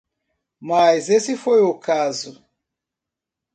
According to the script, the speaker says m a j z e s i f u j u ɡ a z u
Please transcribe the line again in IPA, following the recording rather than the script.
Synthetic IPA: m a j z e s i f o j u k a z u